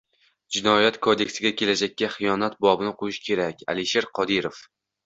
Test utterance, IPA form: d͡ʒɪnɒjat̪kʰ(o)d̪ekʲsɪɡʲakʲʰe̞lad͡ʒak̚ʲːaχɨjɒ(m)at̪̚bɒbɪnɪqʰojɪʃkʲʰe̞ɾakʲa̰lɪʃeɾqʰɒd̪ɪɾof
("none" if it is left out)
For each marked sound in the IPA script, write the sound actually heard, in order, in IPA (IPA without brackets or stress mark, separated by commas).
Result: o, n